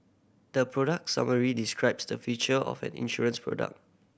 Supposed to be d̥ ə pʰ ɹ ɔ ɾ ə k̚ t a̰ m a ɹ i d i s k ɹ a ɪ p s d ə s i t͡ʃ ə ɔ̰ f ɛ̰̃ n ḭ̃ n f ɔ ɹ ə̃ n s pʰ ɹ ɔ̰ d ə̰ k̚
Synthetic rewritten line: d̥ ə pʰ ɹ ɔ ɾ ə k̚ s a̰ m ə ɹ i d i s k ɹ a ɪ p s d ə f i t͡ʃ ə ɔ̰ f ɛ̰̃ n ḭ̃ n ʃ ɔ ɹ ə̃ n s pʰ ɹ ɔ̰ d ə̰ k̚